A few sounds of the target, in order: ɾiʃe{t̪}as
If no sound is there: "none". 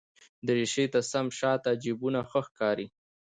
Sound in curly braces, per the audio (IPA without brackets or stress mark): t̪